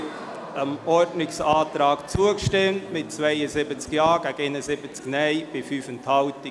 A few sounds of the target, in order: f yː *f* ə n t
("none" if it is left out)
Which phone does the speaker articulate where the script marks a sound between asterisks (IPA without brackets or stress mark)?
f